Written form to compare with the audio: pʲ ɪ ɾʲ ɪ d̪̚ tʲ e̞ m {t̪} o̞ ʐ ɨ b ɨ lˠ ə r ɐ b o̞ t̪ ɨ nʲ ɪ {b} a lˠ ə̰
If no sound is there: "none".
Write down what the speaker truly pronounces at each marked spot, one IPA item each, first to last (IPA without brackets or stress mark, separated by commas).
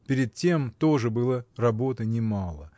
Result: t̪, m